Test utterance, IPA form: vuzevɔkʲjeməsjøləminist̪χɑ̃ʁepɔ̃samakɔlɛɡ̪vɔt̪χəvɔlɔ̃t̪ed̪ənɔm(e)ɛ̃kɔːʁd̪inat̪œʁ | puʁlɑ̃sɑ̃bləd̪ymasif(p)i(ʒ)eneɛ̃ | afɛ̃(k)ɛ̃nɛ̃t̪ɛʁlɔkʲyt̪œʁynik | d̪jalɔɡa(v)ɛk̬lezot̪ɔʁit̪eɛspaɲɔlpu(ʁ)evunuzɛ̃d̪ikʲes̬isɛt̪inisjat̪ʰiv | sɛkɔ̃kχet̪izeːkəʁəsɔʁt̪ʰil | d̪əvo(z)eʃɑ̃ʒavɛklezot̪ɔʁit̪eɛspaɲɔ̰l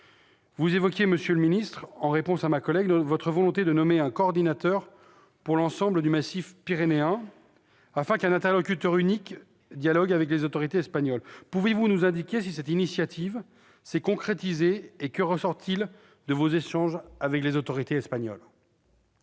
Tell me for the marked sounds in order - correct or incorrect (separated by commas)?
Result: correct, correct, incorrect, correct, correct, incorrect, correct